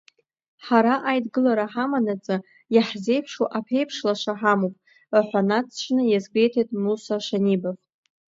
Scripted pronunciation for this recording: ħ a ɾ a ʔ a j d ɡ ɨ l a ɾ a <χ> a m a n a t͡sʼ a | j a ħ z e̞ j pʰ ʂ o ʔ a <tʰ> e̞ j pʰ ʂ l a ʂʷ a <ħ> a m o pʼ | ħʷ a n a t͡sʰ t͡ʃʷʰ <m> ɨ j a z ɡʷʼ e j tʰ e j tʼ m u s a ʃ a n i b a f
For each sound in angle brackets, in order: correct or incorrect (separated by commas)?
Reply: incorrect, incorrect, correct, incorrect